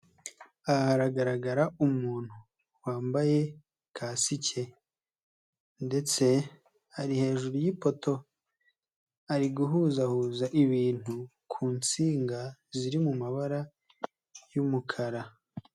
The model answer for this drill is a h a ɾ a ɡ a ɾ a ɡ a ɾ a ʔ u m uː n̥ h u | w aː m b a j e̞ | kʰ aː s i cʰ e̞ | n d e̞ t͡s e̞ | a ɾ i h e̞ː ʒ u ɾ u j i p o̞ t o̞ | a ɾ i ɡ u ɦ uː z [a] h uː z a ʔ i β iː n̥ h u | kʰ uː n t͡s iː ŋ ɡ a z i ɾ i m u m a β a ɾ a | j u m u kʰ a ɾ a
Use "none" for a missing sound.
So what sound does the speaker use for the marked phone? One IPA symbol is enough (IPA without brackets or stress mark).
a